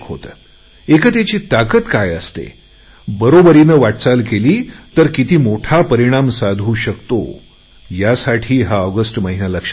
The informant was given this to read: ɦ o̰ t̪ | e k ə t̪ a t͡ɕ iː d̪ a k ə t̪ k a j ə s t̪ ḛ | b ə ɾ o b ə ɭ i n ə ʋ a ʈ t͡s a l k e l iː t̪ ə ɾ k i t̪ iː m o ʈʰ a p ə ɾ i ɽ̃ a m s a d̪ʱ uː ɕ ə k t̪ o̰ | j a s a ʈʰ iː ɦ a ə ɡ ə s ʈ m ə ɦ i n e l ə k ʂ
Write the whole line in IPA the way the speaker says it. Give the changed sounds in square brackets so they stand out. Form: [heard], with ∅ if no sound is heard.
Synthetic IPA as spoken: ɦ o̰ t̪ | e k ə t̪ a t͡ɕ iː [t̪] a k ə t̪ k a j ə s t̪ ḛ | b ə ɾ o b ə [ɾ] i n ə ʋ a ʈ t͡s a l k e l iː t̪ ə ɾ k i t̪ iː m o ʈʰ a p ə ɾ i ɽ̃ a m s a d̪ʱ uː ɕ ə k t̪ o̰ | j a s a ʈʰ iː ɦ a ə ɡ ə s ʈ m ə ɦ i n [a] l ə k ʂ